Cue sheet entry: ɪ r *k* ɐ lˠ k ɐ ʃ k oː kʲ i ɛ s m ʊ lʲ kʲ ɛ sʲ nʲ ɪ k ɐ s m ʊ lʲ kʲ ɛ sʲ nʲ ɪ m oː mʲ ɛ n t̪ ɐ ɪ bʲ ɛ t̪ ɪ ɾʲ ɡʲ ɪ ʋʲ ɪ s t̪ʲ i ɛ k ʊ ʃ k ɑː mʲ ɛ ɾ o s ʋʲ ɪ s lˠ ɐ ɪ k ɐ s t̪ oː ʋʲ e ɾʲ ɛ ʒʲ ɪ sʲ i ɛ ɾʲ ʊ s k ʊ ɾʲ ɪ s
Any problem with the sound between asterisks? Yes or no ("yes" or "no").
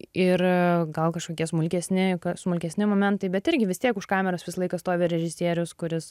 yes